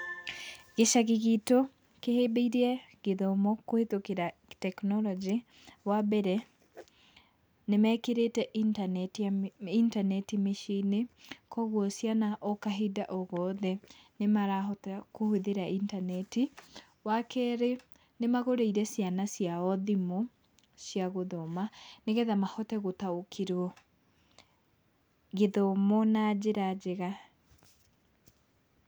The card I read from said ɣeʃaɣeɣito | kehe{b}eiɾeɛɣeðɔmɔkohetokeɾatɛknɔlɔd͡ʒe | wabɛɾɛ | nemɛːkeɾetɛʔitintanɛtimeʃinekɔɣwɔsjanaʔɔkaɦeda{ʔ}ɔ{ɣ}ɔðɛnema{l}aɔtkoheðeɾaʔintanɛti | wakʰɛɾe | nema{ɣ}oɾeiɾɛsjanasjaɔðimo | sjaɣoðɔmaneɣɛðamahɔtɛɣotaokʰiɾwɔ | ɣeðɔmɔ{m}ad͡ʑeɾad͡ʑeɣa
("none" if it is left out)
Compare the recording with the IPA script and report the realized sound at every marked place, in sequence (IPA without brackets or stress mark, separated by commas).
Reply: b, ʔ, ɣ, ɾ, ɣ, n